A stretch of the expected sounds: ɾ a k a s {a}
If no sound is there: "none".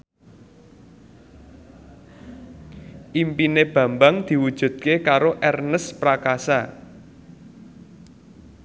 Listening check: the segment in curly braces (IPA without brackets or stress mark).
a